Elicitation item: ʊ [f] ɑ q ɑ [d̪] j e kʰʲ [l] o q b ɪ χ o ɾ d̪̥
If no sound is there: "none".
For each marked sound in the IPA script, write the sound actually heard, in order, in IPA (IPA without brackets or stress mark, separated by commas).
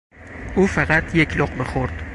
f, t̪, l